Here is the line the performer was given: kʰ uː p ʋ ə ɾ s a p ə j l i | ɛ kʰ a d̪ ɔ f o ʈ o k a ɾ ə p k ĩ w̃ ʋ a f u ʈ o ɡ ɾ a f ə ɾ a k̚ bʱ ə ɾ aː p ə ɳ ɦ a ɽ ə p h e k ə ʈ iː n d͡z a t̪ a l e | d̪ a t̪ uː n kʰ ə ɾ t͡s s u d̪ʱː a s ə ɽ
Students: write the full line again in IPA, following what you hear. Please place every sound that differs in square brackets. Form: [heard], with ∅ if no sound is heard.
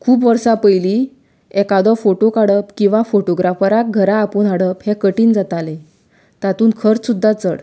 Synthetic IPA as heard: kʰ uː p ʋ ə ɾ s a p ə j l i | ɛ [k] a d̪ ɔ f o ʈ o k a [ɽ] ə p k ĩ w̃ ʋ a f [o] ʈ o ɡ ɾ a f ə ɾ a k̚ [ɡʱ] ə ɾ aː p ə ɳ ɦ a ɽ ə p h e k ə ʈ iː n d͡z a t̪ a l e | [t̪] a t̪ uː n kʰ ə ɾ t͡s s u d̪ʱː a [t͡s] ə ɽ